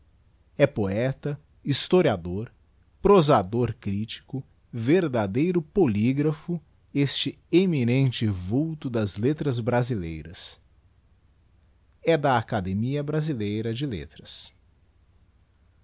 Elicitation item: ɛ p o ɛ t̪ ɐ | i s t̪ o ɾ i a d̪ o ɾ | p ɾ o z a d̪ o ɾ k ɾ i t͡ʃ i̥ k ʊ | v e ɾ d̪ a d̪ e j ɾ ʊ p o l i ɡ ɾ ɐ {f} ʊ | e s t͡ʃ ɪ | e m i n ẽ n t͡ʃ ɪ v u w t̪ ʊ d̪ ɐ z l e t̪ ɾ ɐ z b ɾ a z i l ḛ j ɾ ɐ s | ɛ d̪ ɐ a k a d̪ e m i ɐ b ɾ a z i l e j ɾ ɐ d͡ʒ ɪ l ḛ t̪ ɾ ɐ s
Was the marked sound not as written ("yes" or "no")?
no